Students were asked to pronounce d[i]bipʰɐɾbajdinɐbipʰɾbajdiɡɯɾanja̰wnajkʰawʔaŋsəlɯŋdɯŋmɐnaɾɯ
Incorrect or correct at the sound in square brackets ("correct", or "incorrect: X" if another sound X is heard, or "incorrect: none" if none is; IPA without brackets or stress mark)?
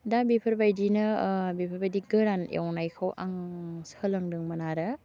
incorrect: a